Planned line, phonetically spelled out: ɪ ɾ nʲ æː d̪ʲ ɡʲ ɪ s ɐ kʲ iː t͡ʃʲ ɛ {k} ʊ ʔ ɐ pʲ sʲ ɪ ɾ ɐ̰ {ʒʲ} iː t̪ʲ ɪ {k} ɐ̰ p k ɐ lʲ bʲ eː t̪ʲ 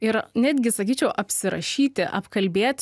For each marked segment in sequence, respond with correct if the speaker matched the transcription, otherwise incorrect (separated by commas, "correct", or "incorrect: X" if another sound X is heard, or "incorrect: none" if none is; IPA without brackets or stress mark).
incorrect: none, incorrect: ʃʲ, incorrect: ʔ